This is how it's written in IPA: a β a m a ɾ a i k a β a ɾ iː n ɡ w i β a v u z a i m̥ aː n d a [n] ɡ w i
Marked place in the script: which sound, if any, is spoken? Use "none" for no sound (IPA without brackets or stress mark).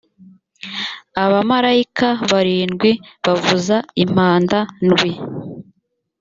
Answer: n